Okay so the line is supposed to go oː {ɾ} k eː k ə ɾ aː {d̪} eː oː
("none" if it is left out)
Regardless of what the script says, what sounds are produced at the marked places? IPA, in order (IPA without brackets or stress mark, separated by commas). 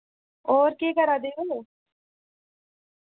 ɾ, d̪